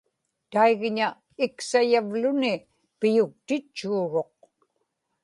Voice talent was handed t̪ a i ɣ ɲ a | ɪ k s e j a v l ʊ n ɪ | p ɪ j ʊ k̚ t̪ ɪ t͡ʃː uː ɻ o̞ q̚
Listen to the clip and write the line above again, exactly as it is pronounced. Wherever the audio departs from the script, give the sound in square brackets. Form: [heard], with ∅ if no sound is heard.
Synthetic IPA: t̪ a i ɣ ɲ a | ɪ k s [a] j a v l ʊ n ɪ | p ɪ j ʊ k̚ t̪ ɪ t͡ʃː uː ɻ o̞ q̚